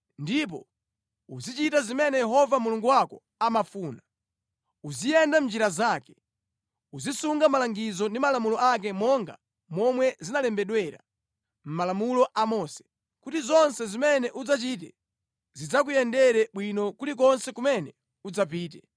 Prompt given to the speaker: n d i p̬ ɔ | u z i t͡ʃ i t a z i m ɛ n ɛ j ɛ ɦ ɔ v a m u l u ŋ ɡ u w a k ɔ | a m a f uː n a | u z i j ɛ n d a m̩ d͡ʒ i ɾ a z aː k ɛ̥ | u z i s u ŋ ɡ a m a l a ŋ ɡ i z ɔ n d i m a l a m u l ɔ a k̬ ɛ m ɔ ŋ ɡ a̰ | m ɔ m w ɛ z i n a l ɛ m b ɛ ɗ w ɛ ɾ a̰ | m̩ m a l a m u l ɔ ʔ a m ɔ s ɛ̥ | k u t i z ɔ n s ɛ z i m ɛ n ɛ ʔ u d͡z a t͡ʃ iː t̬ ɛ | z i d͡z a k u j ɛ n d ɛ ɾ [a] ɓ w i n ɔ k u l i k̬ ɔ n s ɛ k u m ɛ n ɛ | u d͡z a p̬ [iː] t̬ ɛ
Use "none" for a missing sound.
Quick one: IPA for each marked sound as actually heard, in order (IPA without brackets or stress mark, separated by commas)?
ɛ, iː